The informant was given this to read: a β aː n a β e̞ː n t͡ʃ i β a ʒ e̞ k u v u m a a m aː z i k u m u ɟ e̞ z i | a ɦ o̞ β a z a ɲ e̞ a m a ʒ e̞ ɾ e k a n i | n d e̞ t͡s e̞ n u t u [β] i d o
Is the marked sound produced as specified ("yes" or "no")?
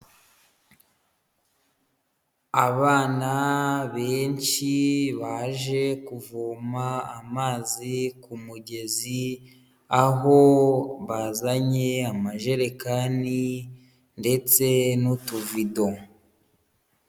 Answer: no